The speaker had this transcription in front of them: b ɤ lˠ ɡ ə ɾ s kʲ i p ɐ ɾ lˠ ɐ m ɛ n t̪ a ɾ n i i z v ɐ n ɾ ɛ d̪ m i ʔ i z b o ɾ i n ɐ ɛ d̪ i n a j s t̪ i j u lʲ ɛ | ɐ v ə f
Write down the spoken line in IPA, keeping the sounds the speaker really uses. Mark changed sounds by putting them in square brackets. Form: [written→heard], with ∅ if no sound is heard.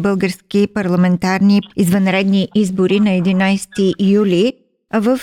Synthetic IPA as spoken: b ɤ lˠ ɡ ə ɾ s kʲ i p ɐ ɾ lˠ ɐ m ɛ n t̪ a ɾ n i i z v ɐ n ɾ ɛ d̪ [m→n] i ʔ i z b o ɾ i n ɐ ɛ d̪ i n a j s t̪ i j u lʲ [ɛ→i] | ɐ v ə f